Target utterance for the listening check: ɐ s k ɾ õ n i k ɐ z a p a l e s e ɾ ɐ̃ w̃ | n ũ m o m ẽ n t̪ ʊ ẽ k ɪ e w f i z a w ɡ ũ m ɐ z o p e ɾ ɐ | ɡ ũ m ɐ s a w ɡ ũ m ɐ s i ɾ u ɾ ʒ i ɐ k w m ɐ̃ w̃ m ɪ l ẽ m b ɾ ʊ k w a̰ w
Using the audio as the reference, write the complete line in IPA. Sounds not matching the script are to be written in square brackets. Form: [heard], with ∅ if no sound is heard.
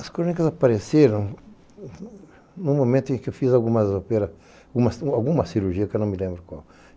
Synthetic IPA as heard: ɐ s k ɾ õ n i k ɐ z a p a [ɾ] e s e ɾ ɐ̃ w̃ | n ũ m o m ẽ n t̪ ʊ ẽ k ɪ e w f i z a w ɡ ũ m ɐ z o p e ɾ ɐ | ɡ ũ m ɐ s a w ɡ ũ m ɐ s i ɾ u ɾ ʒ i ɐ k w [n] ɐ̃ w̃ m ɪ l ẽ m b ɾ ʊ k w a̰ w